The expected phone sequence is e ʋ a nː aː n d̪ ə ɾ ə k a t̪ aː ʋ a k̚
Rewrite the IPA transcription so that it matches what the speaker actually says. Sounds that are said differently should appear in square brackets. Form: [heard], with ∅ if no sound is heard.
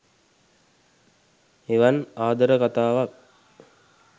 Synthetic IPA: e ʋ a [n] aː [∅] d̪ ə ɾ ə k a t̪ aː ʋ a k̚